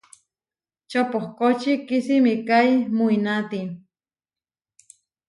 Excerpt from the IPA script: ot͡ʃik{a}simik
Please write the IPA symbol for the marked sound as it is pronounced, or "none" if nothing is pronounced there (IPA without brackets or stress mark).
i